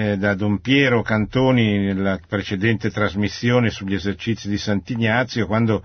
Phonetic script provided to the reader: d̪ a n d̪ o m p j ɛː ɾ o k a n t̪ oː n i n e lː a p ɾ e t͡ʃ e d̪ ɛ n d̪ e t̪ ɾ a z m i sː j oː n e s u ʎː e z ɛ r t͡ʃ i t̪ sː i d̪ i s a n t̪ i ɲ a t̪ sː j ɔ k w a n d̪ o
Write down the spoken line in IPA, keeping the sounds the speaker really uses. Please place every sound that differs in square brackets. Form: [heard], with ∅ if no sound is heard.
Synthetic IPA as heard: d̪ a [∅] d̪ o m p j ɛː ɾ o k a n t̪ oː n i n e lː a p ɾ e t͡ʃ e d̪ ɛ n [t̪] e t̪ ɾ a z m i sː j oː n e s u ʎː e z [e] r t͡ʃ i t̪ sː i d̪ i s a n t̪ i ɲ a t̪ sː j [o] k w a n d̪ o